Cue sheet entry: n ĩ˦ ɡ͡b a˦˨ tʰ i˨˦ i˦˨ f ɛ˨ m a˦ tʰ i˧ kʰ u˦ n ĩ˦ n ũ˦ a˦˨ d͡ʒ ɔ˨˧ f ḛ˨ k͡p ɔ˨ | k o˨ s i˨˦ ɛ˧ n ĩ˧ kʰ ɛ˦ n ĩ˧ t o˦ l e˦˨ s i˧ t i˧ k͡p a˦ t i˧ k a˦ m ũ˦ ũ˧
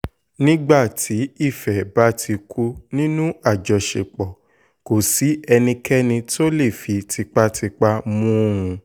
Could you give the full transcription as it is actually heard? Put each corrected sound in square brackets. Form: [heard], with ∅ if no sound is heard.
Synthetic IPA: n ĩ˦ ɡ͡b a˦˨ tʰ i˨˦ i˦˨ f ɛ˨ [b] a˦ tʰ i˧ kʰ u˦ n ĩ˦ n ũ˦ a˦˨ d͡ʒ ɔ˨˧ [ʃ] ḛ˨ k͡p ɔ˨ | k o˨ s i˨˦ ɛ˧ n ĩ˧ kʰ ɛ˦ n ĩ˧ t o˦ l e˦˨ [f] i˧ t i˧ k͡p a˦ t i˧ [k͡p] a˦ m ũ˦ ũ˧